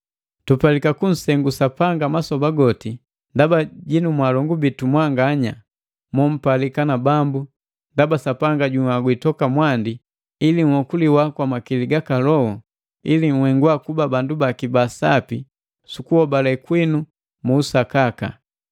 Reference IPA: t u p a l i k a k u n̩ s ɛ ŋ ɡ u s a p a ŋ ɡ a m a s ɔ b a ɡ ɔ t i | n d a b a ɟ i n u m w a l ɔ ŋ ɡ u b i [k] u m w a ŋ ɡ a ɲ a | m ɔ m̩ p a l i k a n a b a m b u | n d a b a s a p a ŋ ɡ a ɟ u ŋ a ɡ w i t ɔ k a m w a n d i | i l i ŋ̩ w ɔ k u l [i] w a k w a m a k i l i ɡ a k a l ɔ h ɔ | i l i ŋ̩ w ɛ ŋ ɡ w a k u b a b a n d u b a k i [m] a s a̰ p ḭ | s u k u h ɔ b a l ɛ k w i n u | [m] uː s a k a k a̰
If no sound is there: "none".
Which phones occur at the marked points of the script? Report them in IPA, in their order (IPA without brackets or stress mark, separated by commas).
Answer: t, i, b, m